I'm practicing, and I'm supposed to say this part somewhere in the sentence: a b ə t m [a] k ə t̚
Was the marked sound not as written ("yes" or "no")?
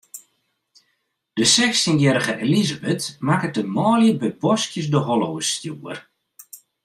no